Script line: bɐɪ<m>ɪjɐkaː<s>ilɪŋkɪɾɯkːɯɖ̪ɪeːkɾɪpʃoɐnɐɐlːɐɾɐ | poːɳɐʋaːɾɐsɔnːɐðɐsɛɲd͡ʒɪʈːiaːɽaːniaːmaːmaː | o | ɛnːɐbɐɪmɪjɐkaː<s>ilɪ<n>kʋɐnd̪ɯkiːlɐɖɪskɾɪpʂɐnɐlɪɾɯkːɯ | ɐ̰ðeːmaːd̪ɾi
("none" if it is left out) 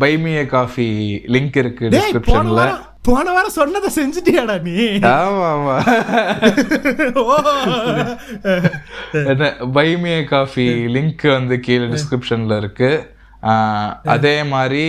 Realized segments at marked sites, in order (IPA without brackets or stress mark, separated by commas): m, f, f, ŋ